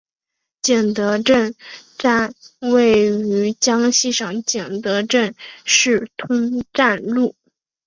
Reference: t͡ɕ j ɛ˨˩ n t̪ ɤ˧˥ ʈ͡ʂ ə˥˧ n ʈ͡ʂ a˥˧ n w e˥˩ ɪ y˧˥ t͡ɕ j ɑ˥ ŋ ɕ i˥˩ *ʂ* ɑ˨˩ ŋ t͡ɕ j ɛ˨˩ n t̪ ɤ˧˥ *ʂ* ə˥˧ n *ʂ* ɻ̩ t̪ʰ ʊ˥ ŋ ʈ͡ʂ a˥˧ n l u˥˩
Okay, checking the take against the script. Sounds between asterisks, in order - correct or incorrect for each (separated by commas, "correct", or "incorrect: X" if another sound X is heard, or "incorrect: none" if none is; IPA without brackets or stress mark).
correct, incorrect: ʈ͡ʂ, correct